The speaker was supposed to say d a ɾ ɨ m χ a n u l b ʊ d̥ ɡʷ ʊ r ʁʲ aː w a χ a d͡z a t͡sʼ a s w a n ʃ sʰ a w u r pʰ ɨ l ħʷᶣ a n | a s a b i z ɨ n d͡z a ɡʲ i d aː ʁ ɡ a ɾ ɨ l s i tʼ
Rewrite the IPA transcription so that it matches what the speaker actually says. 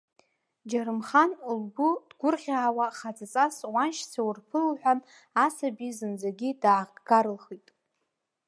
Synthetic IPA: d͡ʒ a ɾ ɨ m χ a n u l b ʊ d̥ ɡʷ ʊ r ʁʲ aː w a χ a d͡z a t͡sʼ a s w a n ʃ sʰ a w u r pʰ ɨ l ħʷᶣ a n | a s a b i z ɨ n d͡z a ɡʲ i d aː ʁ ɡ a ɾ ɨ l χ i tʼ